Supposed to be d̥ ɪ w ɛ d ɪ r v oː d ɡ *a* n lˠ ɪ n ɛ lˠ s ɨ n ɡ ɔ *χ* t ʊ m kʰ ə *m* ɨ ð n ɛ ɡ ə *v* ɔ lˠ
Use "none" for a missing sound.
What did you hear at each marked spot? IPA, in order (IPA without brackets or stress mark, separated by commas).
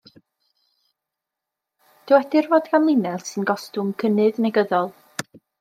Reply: a, s, n, ð